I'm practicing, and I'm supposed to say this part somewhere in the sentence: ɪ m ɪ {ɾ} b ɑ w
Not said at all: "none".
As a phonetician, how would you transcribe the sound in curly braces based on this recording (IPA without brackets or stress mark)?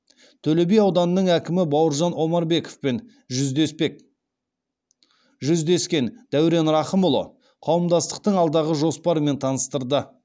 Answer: none